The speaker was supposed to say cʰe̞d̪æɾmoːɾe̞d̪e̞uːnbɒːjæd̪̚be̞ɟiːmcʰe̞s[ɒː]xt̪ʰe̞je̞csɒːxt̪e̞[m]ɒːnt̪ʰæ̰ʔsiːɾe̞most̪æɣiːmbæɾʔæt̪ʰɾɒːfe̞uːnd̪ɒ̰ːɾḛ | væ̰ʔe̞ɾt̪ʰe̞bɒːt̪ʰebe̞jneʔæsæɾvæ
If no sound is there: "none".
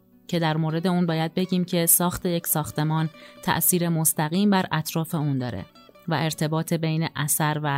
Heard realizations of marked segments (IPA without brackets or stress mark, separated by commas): ɒː, m